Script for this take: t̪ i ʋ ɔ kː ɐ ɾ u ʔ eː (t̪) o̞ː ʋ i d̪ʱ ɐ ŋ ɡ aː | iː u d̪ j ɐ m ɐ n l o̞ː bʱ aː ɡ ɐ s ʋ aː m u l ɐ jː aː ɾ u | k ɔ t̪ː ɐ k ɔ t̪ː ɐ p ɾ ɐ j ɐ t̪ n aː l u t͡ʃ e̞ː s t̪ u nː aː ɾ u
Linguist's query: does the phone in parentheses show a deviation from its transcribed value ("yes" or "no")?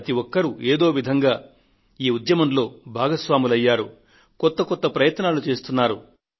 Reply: yes